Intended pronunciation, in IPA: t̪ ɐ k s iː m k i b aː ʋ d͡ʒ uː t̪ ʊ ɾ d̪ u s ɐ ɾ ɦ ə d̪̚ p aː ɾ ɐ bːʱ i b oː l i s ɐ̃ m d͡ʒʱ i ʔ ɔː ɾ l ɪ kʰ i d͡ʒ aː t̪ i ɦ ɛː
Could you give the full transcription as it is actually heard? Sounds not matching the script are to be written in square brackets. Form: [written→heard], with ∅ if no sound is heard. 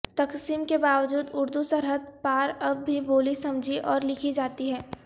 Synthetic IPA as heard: t̪ ɐ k s iː m k [i→e] b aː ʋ d͡ʒ uː [t̪→d̪] ʊ ɾ d̪ u s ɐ ɾ ɦ ə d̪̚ p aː ɾ ɐ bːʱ i b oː l i s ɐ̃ m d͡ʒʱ i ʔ ɔː ɾ l ɪ kʰ i d͡ʒ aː t̪ i ɦ ɛː